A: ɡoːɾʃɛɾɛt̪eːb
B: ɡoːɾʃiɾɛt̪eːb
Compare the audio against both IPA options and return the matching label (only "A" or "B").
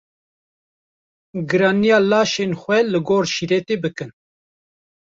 B